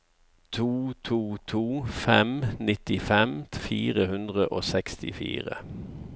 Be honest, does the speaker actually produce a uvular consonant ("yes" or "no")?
yes